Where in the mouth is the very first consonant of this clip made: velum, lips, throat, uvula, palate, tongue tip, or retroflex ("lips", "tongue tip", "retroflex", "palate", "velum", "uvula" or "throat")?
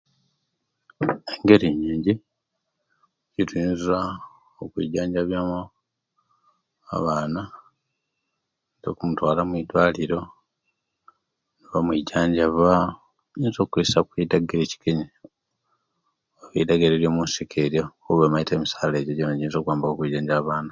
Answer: velum